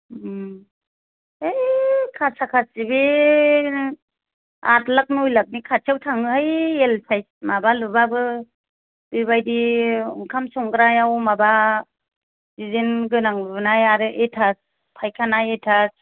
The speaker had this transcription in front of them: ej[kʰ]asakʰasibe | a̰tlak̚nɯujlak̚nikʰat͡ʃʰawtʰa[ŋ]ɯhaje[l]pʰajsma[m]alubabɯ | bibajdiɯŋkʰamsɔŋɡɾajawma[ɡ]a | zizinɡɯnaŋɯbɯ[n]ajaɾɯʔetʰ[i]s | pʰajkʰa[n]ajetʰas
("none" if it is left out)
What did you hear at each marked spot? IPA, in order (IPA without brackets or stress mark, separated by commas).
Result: kʰ, ŋ, l, b, b, n, a, n